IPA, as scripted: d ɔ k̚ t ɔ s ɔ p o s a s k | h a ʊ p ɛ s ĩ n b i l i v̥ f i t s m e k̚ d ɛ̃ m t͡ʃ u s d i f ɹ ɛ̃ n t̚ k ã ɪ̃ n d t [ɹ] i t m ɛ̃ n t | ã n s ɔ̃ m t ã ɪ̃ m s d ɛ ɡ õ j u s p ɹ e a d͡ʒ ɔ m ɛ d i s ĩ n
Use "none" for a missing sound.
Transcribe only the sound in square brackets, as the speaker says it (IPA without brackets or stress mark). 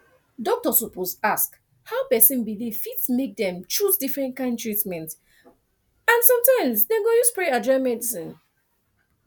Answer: ɹ